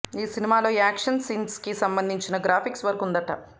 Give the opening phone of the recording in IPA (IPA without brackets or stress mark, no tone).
iː